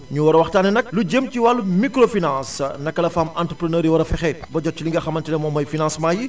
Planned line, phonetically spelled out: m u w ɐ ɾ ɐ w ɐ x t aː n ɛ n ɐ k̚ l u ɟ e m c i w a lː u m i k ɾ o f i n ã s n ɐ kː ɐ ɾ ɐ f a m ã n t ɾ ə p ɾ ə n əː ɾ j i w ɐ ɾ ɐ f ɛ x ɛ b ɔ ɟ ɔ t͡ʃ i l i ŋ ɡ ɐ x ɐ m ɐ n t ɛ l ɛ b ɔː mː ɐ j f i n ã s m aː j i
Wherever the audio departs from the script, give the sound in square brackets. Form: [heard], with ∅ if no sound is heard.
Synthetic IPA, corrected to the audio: [ɲ] u w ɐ ɾ ɐ w ɐ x t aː n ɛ n ɐ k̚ l u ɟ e m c i w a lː u m i k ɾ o f i n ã s n ɐ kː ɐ [l] ɐ f a m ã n t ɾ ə p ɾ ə n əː ɾ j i w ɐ ɾ ɐ f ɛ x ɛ b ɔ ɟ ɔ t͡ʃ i l i ŋ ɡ ɐ x ɐ m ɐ n t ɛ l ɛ [m] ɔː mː ɐ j f i n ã s m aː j i